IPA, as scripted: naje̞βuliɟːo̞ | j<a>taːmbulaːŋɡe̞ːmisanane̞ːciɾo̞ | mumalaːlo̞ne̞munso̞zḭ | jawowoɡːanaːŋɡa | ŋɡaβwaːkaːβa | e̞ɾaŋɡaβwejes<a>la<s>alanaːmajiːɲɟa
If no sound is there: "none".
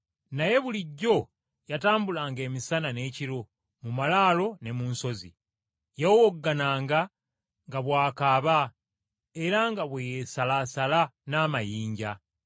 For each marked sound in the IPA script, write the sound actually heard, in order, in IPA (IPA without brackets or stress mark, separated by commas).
a, a, s